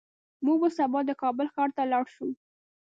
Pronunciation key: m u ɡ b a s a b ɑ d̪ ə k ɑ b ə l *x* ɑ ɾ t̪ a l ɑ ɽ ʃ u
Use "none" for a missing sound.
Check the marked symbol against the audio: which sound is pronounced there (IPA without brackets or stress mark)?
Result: x